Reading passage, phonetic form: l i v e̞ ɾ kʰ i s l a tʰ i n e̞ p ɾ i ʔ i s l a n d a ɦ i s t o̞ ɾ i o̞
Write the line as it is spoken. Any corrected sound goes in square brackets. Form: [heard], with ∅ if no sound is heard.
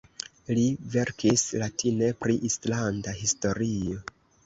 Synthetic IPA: l i v e̞ ɾ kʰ i s l a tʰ i n e̞ p ɾ i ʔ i s l a n d a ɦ i s t o̞ ɾ i o̞

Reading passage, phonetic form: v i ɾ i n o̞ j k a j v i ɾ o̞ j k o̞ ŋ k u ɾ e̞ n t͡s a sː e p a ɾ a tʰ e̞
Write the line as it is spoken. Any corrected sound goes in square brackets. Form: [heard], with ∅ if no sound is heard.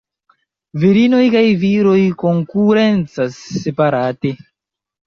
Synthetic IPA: v i ɾ i n o̞ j k a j v i ɾ o̞ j k o̞ ŋ k u ɾ e̞ n t͡s a sː e p a ɾ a [t] e̞

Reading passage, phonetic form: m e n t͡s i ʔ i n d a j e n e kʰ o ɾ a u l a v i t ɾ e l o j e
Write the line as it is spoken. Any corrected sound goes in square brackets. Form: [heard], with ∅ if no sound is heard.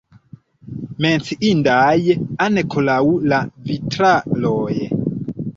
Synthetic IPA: m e n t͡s i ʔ i n d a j [a] n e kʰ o [l] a u l a v i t ɾ [a] l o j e

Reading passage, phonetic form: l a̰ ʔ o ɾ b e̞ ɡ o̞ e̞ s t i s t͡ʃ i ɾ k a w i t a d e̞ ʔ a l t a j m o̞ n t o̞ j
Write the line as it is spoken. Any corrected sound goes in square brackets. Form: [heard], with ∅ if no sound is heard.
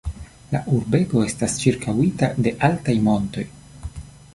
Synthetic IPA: l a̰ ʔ [u] ɾ b e̞ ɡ o̞ e̞ s t [a] s t͡ʃ i ɾ k a w i t a d e̞ ʔ a l t a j m o̞ n t o̞ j

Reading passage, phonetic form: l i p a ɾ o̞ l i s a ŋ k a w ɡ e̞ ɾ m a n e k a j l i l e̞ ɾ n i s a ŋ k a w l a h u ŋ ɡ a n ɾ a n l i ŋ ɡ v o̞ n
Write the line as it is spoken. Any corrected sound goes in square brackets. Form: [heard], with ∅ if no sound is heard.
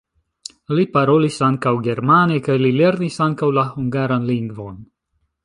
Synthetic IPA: l i p a ɾ o̞ l i s a ŋ k a w ɡ e̞ ɾ m a n e k a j l i l e̞ ɾ n i s a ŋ k a w l a h u ŋ ɡ a [∅] ɾ a n l i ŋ ɡ v o̞ n

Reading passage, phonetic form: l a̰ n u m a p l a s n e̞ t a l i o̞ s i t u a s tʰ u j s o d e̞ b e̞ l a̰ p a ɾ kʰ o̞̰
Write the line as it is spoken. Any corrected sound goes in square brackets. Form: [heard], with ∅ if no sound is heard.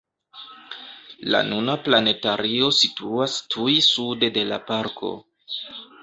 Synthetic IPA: l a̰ n u [n] a p l a [∅] n e̞ t a [ɾ] i o̞ s i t u a s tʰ u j s [u] d e̞ [d] e̞ l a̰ p a ɾ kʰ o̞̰

